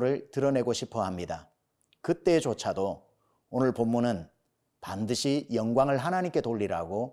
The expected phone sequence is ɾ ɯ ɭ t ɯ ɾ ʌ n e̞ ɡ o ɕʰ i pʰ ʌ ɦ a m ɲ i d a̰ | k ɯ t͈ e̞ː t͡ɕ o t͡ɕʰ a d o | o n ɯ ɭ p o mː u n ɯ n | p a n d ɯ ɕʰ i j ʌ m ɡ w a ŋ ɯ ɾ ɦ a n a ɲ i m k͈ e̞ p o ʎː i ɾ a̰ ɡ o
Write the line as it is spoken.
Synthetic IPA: ɾ ɯ ɭ t ɯ ɾ ʌ n e̞ ɡ o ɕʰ i pʰ ʌ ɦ a m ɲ i d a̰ | k ɯ t͈ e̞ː t͡ɕ o t͡ɕʰ a d o | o n ɯ ɭ p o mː u n ɯ n | p a n d ɯ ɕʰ i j ʌ ŋ ɡ w a ŋ ɯ ɭ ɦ a n a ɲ i m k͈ e̞ t o ʎː i ɾ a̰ ɡ o